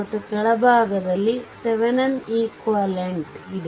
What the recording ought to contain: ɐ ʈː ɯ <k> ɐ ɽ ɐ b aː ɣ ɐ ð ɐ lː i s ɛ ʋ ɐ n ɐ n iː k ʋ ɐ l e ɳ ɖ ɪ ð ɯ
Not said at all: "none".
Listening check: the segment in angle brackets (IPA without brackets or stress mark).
k